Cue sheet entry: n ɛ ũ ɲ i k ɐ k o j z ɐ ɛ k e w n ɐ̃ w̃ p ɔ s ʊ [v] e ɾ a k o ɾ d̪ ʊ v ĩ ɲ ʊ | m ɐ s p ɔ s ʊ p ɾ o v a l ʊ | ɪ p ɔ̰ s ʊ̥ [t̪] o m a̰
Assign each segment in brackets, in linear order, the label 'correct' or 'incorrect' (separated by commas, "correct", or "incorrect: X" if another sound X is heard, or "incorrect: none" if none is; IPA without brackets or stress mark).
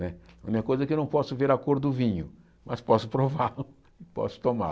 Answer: correct, correct